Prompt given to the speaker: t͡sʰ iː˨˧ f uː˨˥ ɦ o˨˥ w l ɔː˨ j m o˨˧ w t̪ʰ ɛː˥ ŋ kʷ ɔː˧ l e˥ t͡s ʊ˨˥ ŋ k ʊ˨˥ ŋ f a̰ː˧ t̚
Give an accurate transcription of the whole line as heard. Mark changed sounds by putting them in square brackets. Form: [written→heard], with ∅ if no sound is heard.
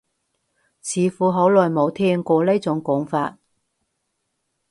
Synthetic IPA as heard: t͡sʰ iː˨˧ f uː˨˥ ɦ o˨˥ w l ɔː˨ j m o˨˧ w t̪ʰ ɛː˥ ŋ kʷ ɔː˧ l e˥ t͡s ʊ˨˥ ŋ k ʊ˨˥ ŋ f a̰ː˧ t̚